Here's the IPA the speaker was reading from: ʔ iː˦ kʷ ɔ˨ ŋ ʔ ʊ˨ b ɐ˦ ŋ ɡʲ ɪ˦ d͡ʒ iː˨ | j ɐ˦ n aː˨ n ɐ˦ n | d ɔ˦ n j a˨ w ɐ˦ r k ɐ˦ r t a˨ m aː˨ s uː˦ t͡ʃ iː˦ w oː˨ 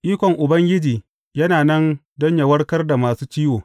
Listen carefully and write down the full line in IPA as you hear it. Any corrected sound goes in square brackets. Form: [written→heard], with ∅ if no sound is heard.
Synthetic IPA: ʔ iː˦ kʷ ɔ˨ ŋ ʔ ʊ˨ b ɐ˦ ŋ ɡʲ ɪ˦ d͡ʒ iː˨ | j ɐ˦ n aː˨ n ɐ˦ n | d ɔ˦ [n→ɲ] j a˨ w ɐ˦ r k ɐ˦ r [t→d] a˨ m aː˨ s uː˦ t͡ʃ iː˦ w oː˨